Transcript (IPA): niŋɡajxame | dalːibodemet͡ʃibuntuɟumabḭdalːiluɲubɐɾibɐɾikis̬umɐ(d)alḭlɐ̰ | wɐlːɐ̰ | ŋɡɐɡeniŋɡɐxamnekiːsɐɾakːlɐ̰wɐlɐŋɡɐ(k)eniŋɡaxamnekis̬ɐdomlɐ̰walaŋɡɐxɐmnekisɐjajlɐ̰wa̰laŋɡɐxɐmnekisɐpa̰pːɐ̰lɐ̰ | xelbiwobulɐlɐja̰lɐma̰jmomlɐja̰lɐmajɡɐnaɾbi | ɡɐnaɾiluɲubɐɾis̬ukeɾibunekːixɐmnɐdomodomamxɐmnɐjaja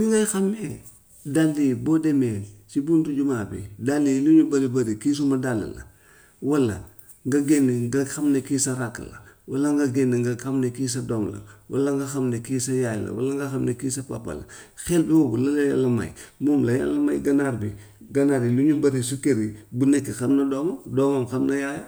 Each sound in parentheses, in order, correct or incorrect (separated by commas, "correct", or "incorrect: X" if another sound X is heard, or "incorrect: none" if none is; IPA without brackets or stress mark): correct, incorrect: ɡ